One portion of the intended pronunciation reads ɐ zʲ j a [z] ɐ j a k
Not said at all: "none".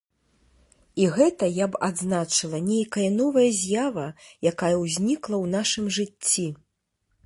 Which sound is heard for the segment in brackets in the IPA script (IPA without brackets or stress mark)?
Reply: v